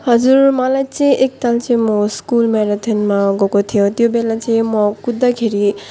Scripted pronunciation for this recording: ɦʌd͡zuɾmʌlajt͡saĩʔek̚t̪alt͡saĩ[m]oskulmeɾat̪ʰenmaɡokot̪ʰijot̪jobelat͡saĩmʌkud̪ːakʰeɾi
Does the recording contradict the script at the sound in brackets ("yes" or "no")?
no